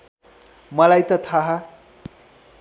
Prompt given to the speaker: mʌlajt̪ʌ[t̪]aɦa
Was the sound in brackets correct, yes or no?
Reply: no